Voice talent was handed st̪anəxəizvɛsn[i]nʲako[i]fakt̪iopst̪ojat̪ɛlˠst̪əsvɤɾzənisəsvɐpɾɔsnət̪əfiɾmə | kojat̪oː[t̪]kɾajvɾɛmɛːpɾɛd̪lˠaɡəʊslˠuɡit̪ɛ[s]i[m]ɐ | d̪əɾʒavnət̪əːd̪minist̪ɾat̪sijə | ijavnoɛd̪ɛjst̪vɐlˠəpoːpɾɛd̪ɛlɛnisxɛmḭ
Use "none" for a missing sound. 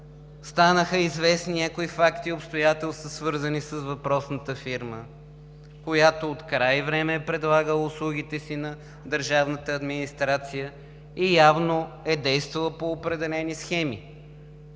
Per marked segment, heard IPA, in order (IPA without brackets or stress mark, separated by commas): i, i, t̪, s, n